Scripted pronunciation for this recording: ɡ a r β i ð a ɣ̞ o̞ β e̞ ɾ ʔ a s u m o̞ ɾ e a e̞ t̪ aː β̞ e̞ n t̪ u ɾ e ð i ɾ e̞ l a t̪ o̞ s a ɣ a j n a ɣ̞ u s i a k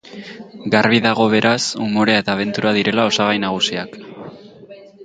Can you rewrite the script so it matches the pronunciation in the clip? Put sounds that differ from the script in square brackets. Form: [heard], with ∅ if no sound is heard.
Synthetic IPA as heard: ɡ a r β i ð a ɣ̞ o̞ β e̞ ɾ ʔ a s u m o̞ ɾ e a e̞ t̪ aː β̞ e̞ n t̪ u ɾ [a] ð i ɾ e̞ l a [∅] o̞ s a ɣ a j n a ɣ̞ u s i a k

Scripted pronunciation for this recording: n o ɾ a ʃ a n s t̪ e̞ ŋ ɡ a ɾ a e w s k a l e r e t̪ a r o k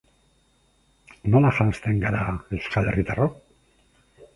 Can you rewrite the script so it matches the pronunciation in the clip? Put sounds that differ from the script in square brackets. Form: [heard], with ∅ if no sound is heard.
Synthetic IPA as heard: n o [l] a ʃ a n s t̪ e̞ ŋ ɡ a ɾ a e w s k a l e r [i] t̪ a r o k

